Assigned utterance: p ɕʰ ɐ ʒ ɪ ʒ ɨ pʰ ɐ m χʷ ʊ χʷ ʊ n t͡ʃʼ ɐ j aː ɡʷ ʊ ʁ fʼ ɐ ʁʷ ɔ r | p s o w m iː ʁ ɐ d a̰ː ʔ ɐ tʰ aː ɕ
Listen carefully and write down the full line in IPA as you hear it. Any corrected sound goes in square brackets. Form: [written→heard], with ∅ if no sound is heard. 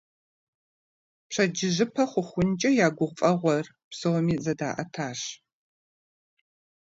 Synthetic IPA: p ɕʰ ɐ [ʒ→d͡ʒ] ɪ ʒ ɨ pʰ ɐ [m→∅] χʷ ʊ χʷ ʊ n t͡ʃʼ ɐ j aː ɡʷ ʊ ʁ fʼ ɐ ʁʷ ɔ r | p s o w m iː [ʁ→z] ɐ d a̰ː ʔ ɐ tʰ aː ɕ

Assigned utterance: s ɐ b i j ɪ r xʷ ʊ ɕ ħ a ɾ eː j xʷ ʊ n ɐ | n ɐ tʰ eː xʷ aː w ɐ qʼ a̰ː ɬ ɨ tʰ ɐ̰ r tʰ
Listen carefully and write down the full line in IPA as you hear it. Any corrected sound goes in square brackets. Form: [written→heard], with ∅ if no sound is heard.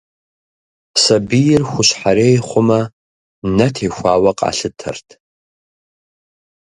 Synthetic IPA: s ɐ b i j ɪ r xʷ ʊ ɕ ħ a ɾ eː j [xʷ→χʷ] ʊ [n→m] ɐ | n ɐ tʰ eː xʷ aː w ɐ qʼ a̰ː ɬ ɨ tʰ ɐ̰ r tʰ

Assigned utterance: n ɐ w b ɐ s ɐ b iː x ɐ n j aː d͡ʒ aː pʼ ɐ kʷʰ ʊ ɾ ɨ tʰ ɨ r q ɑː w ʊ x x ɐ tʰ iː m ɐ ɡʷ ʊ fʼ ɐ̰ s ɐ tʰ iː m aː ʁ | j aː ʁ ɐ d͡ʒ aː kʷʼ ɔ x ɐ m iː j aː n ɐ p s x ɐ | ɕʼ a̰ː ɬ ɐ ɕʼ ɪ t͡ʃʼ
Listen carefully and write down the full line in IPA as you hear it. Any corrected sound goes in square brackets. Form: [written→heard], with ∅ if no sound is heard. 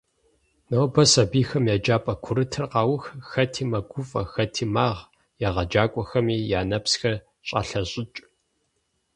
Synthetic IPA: n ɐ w b ɐ s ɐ b iː x ɐ [n→m] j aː d͡ʒ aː pʼ ɐ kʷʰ ʊ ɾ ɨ tʰ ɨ r q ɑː w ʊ x x ɐ tʰ iː m ɐ ɡʷ ʊ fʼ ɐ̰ [s→x] ɐ tʰ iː m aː ʁ | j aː ʁ ɐ d͡ʒ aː kʷʼ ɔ x ɐ m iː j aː n ɐ p s x ɐ | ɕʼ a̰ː ɬ ɐ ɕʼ ɪ t͡ʃʼ

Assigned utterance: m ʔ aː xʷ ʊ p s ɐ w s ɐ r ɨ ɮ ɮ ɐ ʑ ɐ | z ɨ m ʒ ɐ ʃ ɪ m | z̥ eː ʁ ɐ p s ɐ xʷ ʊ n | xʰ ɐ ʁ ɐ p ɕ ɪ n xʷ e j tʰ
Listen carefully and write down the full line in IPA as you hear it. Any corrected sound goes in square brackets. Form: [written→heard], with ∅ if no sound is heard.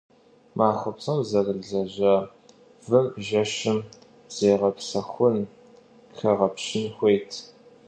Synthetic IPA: m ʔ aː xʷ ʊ p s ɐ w [s→z] ɐ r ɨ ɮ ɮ ɐ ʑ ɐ | [z→v] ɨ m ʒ ɐ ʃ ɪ m | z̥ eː ʁ ɐ p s ɐ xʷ ʊ n | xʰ ɐ ʁ ɐ p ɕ ɪ n xʷ e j tʰ

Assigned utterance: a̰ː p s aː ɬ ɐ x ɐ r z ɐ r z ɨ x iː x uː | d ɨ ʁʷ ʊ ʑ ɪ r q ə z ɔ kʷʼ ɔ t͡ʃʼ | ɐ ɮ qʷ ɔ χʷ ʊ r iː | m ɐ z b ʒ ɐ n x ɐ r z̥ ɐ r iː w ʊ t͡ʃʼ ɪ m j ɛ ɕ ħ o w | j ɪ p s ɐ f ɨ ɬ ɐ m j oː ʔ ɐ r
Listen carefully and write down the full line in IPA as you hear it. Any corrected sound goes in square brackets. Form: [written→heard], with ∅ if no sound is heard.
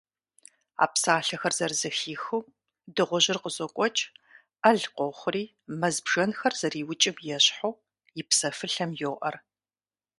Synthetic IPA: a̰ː p s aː ɬ ɐ x ɐ r z ɐ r z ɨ x iː x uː | d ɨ ʁʷ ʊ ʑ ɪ r q ə z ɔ kʷʼ ɔ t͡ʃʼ | ɐ ɮ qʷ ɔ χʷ ʊ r iː | m ɐ z b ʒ ɐ n x ɐ r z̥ ɐ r iː w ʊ t͡ʃʼ ɪ m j ɛ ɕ ħ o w | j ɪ p s ɐ f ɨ ɬ ɐ m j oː ʔ ɐ r

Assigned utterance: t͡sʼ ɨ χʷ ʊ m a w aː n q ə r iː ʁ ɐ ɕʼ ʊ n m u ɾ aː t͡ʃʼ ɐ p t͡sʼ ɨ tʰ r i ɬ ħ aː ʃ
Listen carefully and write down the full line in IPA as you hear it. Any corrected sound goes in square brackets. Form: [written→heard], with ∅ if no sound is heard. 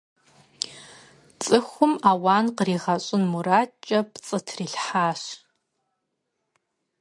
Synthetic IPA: t͡sʼ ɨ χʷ ʊ m a w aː n q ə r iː ʁ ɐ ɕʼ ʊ n m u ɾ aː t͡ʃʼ ɐ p t͡sʼ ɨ tʰ r i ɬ ħ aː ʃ

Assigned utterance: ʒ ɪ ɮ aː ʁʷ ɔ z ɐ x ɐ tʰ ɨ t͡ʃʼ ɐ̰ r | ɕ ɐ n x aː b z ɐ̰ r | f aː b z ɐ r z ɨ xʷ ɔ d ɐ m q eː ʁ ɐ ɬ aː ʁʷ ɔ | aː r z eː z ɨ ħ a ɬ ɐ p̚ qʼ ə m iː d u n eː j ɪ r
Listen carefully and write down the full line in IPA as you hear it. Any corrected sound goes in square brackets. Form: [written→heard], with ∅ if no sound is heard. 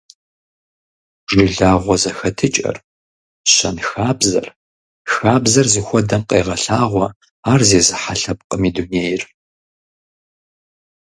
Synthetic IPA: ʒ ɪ ɮ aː ʁʷ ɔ z ɐ x ɐ tʰ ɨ t͡ʃʼ ɐ̰ r | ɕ ɐ n x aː b z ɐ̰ r | [f→x] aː b z ɐ r z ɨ xʷ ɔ d ɐ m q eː ʁ ɐ ɬ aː ʁʷ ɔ | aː r z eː z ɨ ħ a ɬ ɐ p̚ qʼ ə m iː d u n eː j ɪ r

